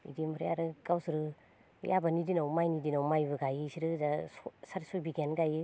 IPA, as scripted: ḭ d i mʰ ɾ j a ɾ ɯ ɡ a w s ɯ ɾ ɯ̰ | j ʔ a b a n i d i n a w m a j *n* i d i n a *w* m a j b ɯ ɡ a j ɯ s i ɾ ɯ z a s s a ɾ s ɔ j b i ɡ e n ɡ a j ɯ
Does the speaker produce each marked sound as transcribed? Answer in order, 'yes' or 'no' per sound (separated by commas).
yes, yes